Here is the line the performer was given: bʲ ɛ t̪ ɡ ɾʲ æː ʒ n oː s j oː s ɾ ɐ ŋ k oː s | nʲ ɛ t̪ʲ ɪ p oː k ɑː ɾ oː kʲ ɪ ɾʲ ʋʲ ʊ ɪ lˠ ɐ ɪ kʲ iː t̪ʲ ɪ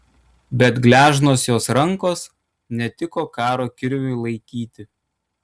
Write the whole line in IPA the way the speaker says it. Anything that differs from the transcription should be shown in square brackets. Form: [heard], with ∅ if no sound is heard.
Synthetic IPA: bʲ ɛ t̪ ɡ [lʲ] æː ʒ n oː s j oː s ɾ ɐ ŋ k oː s | nʲ ɛ t̪ʲ ɪ [k] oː k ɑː ɾ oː kʲ ɪ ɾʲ ʋʲ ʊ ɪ lˠ ɐ ɪ kʲ iː t̪ʲ ɪ